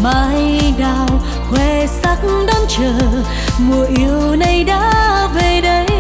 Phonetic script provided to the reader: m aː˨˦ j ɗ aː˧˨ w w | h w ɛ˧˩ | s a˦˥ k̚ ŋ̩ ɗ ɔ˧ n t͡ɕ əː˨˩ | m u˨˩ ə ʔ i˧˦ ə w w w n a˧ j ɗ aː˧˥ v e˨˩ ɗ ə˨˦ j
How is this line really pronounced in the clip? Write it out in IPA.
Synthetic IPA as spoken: m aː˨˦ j ɗ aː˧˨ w w | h w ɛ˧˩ | s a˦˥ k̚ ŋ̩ ɗ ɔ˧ n t͡ɕ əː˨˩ | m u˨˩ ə ʔ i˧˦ ə w w w n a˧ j ɗ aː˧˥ v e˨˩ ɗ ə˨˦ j

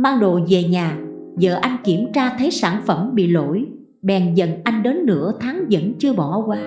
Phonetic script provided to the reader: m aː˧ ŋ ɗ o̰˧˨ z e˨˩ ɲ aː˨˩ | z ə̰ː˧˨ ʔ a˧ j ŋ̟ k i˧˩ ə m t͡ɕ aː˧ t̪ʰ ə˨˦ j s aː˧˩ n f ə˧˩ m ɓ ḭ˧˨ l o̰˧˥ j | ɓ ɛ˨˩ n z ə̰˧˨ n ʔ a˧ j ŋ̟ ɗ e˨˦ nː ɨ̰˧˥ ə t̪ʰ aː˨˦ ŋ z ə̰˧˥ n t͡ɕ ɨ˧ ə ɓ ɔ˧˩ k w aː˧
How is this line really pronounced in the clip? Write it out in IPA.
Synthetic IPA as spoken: m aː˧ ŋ ɗ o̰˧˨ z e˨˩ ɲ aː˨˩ | z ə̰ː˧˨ ʔ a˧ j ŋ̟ k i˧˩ ə m t͡ɕ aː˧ t̪ʰ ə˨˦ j s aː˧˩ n f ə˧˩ m ɓ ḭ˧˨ l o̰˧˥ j | ɓ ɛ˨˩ n z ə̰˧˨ n ʔ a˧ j ŋ̟ ɗ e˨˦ nː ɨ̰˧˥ ə t̪ʰ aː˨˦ ŋ z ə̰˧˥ n t͡ɕ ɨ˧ ə ɓ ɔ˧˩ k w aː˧

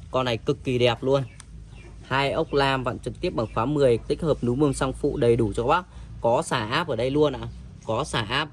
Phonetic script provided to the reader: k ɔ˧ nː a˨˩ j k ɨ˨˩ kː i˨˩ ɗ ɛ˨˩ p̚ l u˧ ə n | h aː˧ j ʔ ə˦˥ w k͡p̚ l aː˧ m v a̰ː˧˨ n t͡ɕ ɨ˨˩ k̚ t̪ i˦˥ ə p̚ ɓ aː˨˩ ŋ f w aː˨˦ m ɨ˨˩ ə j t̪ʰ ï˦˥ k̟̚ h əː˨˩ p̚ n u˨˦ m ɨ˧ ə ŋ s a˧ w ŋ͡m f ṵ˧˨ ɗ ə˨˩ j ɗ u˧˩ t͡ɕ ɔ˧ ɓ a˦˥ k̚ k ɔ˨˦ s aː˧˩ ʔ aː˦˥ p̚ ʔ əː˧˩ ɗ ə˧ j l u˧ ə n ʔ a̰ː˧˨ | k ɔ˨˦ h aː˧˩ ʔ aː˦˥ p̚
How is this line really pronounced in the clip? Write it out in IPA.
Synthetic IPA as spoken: k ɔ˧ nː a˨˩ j k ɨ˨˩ kː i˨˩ ɗ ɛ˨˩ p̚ l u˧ ə n | h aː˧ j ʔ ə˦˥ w k͡p̚ l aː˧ m v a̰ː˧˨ n t͡ɕ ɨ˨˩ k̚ t̪ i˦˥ ə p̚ ɓ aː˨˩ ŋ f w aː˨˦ m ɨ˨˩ ə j t̪ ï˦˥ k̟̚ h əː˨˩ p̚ n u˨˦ m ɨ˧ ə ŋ s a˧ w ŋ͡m f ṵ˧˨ ɗ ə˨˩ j ɗ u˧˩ t͡ɕ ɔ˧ ɓ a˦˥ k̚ k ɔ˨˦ s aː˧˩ ʔ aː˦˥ p̚ ʔ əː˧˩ ɗ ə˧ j l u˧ ə n ʔ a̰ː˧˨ | k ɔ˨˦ s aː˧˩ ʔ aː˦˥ p̚

